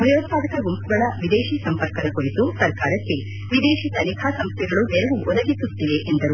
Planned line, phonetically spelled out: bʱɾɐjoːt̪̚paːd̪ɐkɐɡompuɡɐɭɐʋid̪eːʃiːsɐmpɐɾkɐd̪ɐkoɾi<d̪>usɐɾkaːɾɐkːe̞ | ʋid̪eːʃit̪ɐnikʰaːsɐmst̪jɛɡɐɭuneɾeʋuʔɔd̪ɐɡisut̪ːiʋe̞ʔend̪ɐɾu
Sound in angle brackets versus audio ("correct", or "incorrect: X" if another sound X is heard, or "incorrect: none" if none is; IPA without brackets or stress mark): incorrect: t̪